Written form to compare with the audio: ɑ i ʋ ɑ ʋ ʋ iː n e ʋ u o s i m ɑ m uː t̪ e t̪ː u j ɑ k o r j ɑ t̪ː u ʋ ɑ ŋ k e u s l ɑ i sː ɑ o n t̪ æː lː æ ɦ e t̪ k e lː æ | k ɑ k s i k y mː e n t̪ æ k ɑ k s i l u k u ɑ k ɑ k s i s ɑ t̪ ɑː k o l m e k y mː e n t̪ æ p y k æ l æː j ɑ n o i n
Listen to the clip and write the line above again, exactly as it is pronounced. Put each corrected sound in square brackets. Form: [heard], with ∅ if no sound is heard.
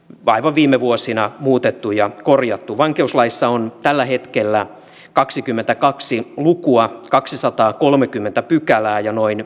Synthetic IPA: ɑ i ʋ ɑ ʋ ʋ iː [m] e ʋ u o s i [n] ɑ m uː t̪ e t̪ː u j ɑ k o r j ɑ t̪ː u ʋ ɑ ŋ k e u s l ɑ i sː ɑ o n t̪ [æ] lː æ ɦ e t̪ k e lː æ | k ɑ k s i k y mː e n t̪ æ k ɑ k s i l u k u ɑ k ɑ k s i s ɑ t̪ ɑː k o l m e k y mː e n t̪ æ p y k æ l æː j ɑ n o i n